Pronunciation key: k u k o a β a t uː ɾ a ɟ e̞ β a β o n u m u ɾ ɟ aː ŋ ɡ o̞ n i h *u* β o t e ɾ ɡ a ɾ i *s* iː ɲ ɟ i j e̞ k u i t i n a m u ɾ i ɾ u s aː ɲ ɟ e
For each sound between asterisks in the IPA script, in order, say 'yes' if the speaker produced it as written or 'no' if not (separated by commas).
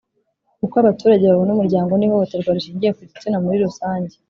no, no